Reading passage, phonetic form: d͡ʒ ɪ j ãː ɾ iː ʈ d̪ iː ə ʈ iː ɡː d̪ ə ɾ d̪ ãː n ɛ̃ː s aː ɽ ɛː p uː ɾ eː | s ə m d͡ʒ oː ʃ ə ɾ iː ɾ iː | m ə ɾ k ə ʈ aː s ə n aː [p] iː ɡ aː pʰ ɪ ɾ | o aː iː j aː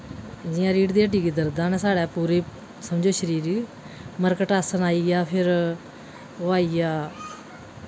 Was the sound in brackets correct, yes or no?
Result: no